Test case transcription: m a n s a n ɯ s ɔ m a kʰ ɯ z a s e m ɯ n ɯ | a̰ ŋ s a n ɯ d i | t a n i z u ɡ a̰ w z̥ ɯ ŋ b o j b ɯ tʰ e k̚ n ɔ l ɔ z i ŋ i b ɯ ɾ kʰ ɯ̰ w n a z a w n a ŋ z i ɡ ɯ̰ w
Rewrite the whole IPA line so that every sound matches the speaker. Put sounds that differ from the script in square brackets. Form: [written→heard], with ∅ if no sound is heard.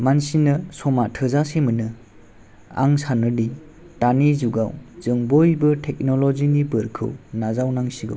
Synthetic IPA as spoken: m a n s [a→i] n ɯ s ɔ m a [kʰ→tʰ] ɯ z a s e m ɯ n ɯ | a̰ ŋ s a n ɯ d i | t a n i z u ɡ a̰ w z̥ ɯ ŋ b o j b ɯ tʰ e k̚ n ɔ l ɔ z i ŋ i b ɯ ɾ kʰ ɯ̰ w n a z a w n a ŋ [z→s] i ɡ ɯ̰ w

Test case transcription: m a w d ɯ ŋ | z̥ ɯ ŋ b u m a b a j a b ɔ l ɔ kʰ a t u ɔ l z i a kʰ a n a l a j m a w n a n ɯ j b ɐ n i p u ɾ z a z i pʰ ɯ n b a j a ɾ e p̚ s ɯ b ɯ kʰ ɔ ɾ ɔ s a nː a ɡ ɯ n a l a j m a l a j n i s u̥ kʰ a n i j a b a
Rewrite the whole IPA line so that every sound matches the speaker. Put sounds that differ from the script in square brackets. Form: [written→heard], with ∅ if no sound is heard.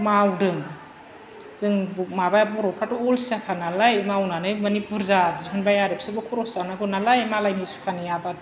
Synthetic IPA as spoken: m a w d ɯ ŋ | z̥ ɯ ŋ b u m a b a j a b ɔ [l→ɾ] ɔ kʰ a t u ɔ l [z→s] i a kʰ a n a l a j m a w n a n ɯ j [b→m] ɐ n i p u ɾ z a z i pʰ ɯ n b a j a ɾ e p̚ s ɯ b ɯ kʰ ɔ ɾ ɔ s a [nː→n] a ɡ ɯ n a l a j m a l a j n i s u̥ kʰ a n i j a b a

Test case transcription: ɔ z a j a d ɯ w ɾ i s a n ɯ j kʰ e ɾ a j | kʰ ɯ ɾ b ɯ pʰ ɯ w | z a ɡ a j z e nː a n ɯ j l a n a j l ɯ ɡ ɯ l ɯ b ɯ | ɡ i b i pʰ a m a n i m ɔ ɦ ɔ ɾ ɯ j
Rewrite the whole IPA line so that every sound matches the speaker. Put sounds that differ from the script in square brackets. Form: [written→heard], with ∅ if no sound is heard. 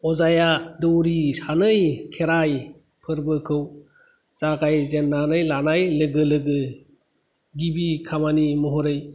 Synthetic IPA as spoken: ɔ z a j a d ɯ w ɾ i s a n ɯ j kʰ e ɾ a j | [kʰ→pʰ] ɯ ɾ b ɯ [pʰ→kʰ] ɯ w | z a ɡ a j z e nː a n ɯ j l a n a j l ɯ ɡ ɯ l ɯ [b→ɡ] ɯ | ɡ i b i [pʰ→kʰ] a m a n i m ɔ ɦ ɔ ɾ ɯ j

